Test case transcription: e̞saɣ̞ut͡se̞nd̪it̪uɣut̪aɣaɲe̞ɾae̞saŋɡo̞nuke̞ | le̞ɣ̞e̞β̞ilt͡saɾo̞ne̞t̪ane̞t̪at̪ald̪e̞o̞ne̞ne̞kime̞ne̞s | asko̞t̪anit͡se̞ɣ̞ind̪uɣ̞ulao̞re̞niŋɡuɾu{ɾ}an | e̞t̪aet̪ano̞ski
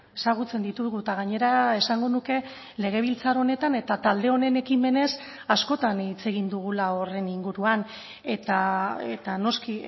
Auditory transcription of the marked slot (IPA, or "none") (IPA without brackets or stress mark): none